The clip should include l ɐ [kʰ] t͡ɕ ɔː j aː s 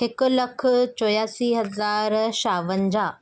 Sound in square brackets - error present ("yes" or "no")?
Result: no